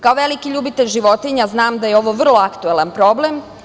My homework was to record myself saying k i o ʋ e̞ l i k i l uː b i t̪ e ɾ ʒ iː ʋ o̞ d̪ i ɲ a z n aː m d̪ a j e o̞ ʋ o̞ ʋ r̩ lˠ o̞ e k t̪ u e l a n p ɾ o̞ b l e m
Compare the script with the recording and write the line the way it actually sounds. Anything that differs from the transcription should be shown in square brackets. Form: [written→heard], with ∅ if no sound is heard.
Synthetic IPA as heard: k [i→a] o ʋ e̞ l i k i [l→ʎ] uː b i t̪ e [ɾ→ʎ] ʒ [iː→i] ʋ o̞ [d̪→t̪] i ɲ a z n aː m d̪ a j e o̞ ʋ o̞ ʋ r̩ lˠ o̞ [e→a] k t̪ u e l a n p ɾ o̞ b l e m